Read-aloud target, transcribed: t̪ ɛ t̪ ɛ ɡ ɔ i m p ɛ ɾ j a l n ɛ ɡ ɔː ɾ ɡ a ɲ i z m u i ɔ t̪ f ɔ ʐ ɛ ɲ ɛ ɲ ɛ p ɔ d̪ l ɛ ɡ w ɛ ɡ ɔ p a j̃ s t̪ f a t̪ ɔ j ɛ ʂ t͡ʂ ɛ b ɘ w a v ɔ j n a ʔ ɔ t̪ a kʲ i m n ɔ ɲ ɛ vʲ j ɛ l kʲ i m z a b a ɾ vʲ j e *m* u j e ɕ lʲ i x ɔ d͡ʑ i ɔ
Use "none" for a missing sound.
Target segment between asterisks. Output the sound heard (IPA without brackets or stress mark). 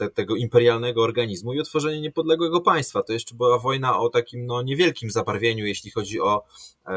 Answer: ɲ